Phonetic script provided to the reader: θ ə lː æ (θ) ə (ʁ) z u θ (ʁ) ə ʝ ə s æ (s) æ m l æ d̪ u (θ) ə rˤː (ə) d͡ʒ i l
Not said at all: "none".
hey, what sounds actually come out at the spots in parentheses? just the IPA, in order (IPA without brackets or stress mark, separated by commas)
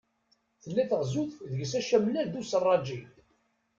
θ, ʁ, ð, ʃ, s, ɑ